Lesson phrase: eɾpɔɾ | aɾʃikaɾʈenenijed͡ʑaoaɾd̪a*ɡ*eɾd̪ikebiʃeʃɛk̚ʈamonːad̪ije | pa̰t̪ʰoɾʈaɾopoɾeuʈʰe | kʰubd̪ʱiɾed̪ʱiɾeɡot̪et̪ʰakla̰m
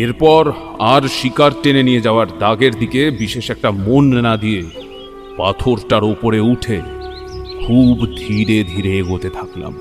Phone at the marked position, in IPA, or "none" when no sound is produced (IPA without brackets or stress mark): ɡ